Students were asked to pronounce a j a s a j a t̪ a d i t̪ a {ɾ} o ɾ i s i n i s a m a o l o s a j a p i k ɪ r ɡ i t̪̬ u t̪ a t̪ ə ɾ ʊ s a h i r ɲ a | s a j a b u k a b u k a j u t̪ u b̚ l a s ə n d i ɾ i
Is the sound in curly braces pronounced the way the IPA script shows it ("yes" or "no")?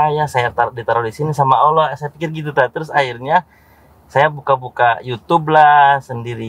yes